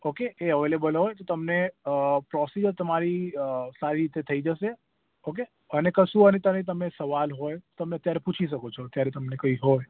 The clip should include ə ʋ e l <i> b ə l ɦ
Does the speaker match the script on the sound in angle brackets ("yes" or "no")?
no